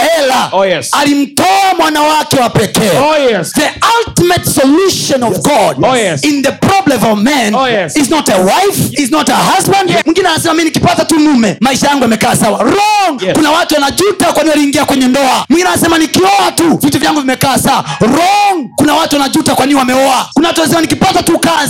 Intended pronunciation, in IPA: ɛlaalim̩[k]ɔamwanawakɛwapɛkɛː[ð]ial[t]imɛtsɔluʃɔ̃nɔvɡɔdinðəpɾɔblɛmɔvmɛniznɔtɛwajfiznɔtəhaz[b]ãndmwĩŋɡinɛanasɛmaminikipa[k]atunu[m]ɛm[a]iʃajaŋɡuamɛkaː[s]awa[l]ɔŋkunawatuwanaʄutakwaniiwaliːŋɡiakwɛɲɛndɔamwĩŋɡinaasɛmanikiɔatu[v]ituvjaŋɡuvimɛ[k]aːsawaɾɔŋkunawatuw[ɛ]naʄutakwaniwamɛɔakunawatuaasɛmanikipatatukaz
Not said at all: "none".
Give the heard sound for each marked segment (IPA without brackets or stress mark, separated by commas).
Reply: t, ð, t, b, t, m, a, s, ɾ, v, k, a